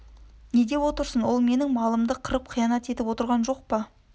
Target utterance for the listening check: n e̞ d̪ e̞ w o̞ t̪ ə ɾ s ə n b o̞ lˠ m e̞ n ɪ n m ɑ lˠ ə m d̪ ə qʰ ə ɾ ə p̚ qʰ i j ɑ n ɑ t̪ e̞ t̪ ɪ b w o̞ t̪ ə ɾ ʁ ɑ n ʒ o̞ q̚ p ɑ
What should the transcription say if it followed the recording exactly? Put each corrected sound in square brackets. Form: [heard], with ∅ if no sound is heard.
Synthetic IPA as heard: n e̞ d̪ e̞ w o̞ t̪ ə ɾ s ə n [w] o̞ lˠ m e̞ n ɪ [ŋ] m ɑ lˠ ə m d̪ ə qʰ ə ɾ ə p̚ qʰ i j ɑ n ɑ t̪ e̞ t̪ ɪ [p] w o̞ t̪ ə ɾ ʁ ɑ n ʒ o̞ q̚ p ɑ